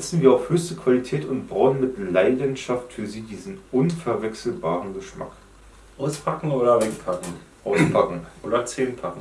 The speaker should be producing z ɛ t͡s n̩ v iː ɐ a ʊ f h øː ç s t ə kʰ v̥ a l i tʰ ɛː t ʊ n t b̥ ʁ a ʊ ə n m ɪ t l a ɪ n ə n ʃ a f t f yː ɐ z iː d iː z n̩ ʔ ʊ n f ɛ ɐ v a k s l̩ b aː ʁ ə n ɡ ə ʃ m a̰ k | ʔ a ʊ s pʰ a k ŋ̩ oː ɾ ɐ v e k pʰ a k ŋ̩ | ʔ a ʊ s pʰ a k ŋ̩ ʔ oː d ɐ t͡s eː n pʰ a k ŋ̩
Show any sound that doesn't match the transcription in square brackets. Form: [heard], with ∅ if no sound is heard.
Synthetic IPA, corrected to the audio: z ɛ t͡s n̩ v iː ɐ a ʊ f h øː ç s t ə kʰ v̥ a l i tʰ ɛː t ʊ n t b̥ ʁ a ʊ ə n m ɪ t l a ɪ [d] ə n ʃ a f t f yː ɐ z iː d iː z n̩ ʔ ʊ n f ɛ ɐ v [ɛ] k s l̩ b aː ʁ ə n ɡ ə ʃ m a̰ k | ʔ a ʊ s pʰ a k ŋ̩ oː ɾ ɐ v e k pʰ a k ŋ̩ | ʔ a ʊ s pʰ a k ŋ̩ ʔ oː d ɐ t͡s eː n pʰ a k ŋ̩